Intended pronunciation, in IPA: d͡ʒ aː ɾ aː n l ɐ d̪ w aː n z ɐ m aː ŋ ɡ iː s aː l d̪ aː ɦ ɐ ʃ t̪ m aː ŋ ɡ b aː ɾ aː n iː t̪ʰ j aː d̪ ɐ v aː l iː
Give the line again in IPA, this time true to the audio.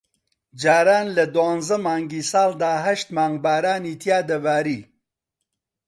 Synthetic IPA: d͡ʒ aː ɾ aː n l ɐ d̪ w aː n z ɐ m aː ŋ ɡ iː s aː l d̪ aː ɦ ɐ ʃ t̪ m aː ŋ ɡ b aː ɾ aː n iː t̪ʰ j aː d̪ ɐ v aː ɾ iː

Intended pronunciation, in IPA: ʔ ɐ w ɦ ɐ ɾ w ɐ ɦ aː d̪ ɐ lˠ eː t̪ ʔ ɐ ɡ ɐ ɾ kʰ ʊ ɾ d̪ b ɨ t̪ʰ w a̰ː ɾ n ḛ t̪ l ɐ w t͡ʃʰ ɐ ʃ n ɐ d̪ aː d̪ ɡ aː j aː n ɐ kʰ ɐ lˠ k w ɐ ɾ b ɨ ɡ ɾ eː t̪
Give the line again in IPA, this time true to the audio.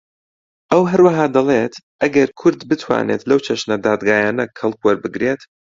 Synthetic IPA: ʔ ɐ w ɦ ɐ ɾ w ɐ ɦ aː d̪ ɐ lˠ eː t̪ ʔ ɐ ɡ ɐ ɾ kʰ ʊ ɾ d̪ b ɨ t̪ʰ w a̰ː n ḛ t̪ l ɐ w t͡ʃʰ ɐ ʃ n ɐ d̪ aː d̪ ɡ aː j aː n ɐ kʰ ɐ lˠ k w ɐ ɾ b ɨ ɡ ɾ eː t̪

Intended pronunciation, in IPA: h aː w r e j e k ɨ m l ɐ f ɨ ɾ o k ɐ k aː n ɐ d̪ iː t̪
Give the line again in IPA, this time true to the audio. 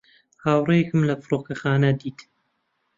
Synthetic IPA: h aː w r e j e k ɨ m l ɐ f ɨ ɾ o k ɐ x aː n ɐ d̪ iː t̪

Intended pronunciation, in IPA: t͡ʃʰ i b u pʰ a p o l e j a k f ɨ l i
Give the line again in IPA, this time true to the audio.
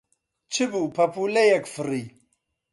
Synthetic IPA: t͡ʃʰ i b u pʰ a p u l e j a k f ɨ ɾ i

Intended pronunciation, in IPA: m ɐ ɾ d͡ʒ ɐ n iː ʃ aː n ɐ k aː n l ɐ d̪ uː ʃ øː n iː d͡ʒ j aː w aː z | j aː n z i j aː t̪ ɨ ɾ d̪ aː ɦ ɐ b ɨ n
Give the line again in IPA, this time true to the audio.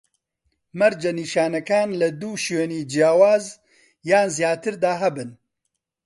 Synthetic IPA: m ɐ ɾ d͡ʒ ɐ n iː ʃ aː n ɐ k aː n l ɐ d̪ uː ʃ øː n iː d͡ʒ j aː w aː z | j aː n z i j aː t̪ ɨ ɾ d̪ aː ɦ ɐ b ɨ n

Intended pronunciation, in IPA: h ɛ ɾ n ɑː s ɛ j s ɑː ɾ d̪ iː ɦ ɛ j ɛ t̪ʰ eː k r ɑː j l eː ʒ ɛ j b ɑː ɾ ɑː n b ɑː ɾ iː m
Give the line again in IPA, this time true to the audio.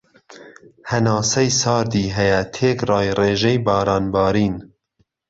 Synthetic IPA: h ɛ n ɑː s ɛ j s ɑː ɾ d̪ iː ɦ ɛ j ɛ t̪ʰ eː k r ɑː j r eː ʒ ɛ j b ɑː ɾ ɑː n b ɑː ɾ iː n

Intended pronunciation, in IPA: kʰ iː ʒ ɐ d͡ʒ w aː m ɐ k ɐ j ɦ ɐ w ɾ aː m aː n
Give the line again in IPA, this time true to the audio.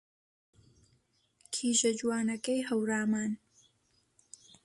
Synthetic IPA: kʰ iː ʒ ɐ d͡ʒ w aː n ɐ k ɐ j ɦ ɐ w ɾ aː m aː n

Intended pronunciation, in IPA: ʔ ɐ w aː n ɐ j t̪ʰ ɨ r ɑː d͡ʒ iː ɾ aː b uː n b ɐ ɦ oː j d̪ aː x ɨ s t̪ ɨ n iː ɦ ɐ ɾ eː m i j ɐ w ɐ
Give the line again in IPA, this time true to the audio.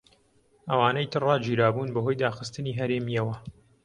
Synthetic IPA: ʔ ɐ w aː n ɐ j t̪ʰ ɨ r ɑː d͡ʒ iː ɾ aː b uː n b ɐ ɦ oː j d̪ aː x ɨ s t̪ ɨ n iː ɦ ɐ ɾ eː m i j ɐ w ɐ

